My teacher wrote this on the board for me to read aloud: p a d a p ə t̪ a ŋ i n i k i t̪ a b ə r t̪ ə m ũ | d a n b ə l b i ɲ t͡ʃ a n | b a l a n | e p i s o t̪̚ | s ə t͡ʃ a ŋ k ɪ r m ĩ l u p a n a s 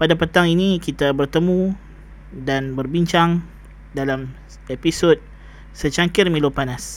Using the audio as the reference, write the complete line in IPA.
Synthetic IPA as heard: p a d a p ə t̪ a ŋ i n i k i t̪ a b ə r t̪ ə m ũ | d a n b ə r b i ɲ t͡ʃ a ŋ | d a l a m | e p i s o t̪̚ | s ə t͡ʃ a ŋ k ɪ r m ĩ l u p a n a s